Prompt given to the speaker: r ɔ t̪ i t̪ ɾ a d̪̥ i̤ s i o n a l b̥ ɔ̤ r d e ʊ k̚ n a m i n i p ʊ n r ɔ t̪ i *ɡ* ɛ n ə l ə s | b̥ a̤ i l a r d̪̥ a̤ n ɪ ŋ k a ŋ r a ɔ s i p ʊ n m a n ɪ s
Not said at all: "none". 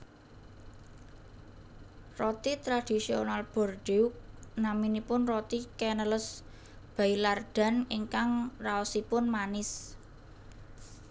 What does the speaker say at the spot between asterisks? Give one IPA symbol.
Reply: k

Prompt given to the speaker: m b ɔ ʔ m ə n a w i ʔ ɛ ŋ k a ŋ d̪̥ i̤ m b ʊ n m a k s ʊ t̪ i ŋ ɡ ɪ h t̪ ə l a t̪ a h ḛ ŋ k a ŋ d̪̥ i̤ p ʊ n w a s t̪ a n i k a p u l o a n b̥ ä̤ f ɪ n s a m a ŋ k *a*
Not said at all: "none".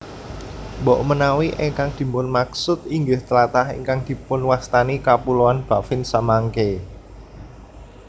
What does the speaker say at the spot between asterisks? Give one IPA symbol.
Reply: e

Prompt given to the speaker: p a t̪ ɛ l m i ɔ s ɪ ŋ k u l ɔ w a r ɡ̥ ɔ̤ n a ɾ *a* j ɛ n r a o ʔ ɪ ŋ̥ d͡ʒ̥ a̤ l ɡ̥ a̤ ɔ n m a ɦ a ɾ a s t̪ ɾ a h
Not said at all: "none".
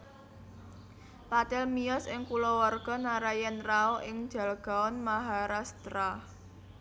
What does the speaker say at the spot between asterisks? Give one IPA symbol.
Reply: a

